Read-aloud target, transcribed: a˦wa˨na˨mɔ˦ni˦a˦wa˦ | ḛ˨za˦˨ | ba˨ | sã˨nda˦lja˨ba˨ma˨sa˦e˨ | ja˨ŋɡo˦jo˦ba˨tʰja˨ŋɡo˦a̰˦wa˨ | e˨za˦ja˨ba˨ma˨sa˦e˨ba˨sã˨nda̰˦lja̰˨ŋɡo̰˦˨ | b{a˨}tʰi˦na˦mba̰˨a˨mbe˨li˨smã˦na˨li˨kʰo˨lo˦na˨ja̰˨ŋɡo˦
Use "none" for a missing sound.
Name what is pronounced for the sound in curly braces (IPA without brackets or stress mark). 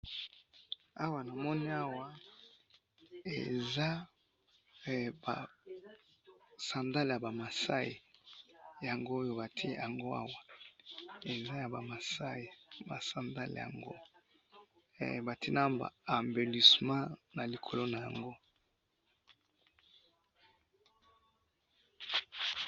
a˨